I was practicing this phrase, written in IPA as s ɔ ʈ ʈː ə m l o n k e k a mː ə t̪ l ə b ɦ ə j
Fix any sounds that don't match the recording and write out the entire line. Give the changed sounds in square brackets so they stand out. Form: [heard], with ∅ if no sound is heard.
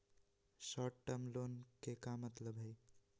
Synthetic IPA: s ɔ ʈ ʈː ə m l o n k e k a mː ə t̪ l ə b ɦ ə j

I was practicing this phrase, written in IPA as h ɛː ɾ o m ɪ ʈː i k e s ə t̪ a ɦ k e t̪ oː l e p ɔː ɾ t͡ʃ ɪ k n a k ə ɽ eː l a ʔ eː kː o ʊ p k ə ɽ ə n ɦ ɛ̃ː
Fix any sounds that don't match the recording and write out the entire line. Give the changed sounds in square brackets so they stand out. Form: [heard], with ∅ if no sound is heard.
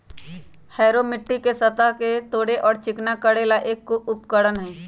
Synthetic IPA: h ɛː ɾ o m ɪ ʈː i k e s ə t̪ a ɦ k e t̪ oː [ɽ] e [ʔ] ɔː ɾ t͡ʃ ɪ k n a k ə ɽ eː l a ʔ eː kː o ʊ p k ə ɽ ə n ɦ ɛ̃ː

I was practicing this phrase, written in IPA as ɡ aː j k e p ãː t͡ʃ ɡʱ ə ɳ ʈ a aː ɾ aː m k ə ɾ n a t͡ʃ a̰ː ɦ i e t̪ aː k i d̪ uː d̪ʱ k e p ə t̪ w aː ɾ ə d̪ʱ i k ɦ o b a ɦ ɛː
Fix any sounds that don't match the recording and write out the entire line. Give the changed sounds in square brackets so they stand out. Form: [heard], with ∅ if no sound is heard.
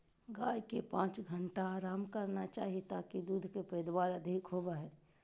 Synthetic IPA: ɡ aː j k e p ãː t͡ʃ ɡʱ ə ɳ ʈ a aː ɾ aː m k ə ɾ n a t͡ʃ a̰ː ɦ i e t̪ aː k i d̪ uː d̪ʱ k e p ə [d̪] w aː ɾ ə d̪ʱ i k ɦ o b a ɦ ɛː

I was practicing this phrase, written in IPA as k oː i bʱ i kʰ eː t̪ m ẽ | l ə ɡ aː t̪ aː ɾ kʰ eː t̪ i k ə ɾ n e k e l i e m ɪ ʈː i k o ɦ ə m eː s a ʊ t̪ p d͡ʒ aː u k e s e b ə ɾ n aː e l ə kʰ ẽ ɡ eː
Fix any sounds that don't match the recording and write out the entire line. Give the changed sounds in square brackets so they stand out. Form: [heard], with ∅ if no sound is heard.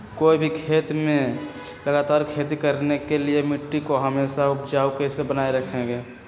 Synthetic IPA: k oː i bʱ i kʰ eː t̪ m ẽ | l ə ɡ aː t̪ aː ɾ kʰ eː t̪ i k ə ɾ n e k e l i e m ɪ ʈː i k o ɦ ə m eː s a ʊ [∅] p d͡ʒ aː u k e s e b ə [∅] n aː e [ɾ] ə kʰ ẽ ɡ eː

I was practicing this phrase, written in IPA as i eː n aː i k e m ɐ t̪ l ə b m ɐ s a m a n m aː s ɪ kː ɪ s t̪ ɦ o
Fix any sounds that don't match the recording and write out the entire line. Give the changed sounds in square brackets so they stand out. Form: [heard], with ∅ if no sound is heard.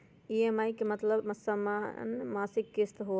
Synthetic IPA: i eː [m] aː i k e m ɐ t̪ l ə b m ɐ s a m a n m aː s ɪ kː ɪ s t̪ ɦ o

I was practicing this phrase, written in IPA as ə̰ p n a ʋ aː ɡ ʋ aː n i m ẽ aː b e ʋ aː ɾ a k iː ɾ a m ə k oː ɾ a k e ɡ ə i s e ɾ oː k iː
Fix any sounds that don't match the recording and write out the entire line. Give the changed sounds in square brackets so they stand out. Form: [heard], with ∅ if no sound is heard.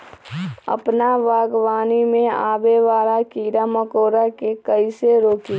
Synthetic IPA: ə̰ p n a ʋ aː ɡ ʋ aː n i m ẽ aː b e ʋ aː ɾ a k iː ɾ a m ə k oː ɾ a k e [k] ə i s e ɾ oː k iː

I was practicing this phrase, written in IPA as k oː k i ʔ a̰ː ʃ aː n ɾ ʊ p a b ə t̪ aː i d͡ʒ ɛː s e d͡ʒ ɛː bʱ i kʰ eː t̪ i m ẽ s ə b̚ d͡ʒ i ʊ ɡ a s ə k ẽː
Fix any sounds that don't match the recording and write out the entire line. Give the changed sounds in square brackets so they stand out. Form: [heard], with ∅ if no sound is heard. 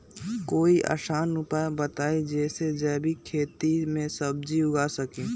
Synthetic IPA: k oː [∅] i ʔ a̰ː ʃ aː n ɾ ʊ p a b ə t̪ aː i d͡ʒ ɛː s e d͡ʒ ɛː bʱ i kʰ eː t̪ i m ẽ s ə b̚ d͡ʒ i ʊ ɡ a s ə k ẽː

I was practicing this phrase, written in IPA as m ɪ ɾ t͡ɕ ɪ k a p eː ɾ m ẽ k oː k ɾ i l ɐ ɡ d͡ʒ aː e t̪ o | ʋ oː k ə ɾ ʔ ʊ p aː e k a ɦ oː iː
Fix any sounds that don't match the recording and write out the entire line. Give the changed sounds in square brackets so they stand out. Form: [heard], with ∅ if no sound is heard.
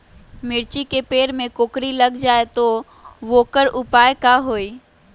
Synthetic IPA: m ɪ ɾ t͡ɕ [i] k [e] p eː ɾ m ẽ k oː k ɾ i l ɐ ɡ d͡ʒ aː e t̪ o | ʋ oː k ə ɾ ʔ ʊ p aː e k a ɦ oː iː

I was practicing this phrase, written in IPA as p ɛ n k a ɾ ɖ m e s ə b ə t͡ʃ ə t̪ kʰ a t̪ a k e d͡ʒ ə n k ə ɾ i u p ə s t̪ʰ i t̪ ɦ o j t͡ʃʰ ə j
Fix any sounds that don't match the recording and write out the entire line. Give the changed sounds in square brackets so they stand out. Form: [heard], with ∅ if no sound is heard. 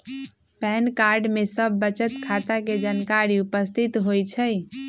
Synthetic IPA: p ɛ n k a ɾ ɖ m e s ə [bː] ə t͡ʃ ə t̪ kʰ a t̪ a k e d͡ʒ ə n k [a] ɾ i u p ə s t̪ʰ i t̪ ɦ o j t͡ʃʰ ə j

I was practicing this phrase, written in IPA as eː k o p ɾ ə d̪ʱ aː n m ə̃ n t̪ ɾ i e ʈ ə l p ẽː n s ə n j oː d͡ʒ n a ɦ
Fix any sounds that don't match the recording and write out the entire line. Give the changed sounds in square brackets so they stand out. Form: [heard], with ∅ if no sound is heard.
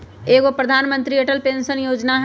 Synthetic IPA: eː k o p ɾ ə d̪ʱ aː n m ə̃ n t̪ ɾ i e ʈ ə l p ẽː n s ə n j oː d͡ʒ n a ɦ

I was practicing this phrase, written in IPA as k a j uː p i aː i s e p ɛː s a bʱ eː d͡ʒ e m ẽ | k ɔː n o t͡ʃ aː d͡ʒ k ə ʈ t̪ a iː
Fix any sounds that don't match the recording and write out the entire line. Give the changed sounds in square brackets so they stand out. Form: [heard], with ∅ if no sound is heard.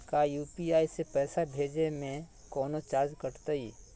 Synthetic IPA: k a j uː p i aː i s e p ɛː s a bʱ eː d͡ʒ e m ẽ | k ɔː n o t͡ʃ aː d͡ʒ k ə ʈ t̪ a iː

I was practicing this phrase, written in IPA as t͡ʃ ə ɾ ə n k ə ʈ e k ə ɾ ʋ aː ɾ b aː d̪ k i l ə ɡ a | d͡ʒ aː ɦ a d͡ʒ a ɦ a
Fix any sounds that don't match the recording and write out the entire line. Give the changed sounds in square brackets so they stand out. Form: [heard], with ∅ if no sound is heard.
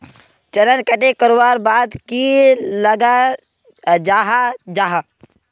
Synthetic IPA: t͡ʃ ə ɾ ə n k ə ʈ e k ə ɾ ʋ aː ɾ b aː d̪ k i l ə ɡ a | d͡ʒ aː ɦ a d͡ʒ a ɦ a

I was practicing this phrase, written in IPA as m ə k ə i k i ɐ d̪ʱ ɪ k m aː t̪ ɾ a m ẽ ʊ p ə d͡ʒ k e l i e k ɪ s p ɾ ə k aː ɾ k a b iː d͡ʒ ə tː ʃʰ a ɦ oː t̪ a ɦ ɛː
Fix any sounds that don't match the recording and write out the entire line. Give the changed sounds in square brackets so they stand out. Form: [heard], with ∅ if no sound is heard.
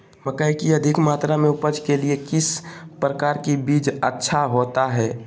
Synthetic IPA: m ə k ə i k i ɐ d̪ʱ ɪ k m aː t̪ ɾ a m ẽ ʊ p ə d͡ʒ k e l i e k ɪ s p ɾ ə k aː ɾ k [i] b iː d͡ʒ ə tː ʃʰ a ɦ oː t̪ a ɦ ɛː

